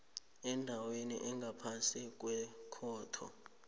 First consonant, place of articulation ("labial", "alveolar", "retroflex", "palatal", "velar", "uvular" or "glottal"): alveolar